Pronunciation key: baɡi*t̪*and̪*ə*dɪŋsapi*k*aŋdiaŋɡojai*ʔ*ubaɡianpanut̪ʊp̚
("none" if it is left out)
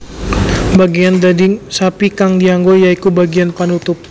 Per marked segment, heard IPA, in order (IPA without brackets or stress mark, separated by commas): none, a, k, k